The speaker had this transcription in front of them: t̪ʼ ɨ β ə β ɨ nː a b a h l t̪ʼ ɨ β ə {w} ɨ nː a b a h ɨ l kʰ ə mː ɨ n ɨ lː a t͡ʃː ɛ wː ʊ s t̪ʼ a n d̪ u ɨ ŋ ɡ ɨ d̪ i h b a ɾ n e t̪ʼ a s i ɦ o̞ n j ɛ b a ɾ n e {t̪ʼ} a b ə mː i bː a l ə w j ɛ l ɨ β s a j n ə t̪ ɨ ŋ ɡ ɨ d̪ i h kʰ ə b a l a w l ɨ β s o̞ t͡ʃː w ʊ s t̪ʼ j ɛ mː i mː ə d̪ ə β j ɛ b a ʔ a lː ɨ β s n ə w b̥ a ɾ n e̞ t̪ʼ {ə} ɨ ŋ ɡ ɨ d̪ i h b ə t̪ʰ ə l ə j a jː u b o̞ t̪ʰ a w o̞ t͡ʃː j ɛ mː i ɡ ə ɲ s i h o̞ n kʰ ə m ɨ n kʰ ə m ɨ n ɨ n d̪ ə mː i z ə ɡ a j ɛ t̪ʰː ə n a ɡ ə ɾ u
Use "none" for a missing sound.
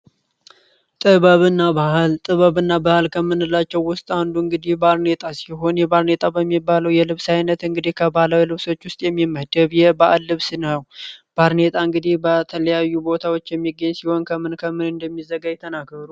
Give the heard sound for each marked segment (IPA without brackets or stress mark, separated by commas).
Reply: β, t̪ʼ, a